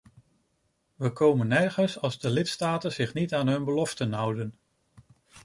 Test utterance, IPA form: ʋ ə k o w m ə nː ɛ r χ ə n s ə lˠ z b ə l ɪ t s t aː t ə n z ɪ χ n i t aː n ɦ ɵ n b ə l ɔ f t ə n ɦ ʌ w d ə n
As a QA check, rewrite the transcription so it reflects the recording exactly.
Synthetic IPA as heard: ʋ ə k o w m ə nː ɛ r χ ə n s ɑ lˠ z d ə l ɪ t s t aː t ə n z ɪ χ n i t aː n ɦ ɵ n b ə l ɔ f t ə n ɦ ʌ w d ə n